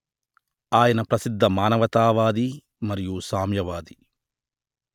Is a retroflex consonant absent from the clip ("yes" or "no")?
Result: yes